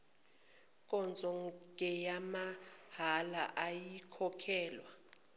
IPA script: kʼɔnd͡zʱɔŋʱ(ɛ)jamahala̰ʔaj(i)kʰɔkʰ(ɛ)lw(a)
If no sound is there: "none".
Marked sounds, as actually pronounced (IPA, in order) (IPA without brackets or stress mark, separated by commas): ɛ, i, ɛː, a